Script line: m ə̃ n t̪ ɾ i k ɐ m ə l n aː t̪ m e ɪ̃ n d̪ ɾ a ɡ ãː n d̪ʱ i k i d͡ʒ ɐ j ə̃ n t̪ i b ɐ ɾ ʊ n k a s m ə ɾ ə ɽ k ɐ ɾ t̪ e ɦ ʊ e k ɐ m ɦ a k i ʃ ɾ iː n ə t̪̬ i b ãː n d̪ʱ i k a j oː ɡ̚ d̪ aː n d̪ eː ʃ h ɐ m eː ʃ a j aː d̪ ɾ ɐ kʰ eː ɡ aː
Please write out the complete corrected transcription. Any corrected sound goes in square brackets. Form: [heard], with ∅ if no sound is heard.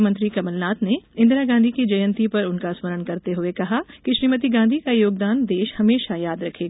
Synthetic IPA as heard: m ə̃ n t̪ ɾ i k ɐ m ə l n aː t̪ [n] e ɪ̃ n d̪ ɾ a ɡ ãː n d̪ʱ i k i d͡ʒ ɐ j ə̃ n t̪ i [p] ɐ ɾ ʊ n k a s m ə ɾ ə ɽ k ɐ ɾ t̪ e ɦ ʊ e k ɐ [∅] ɦ a k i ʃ ɾ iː [m] ə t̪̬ i [ɡ] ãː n d̪ʱ i k a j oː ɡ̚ d̪ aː n d̪ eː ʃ h ɐ m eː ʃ a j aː d̪ ɾ ɐ kʰ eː ɡ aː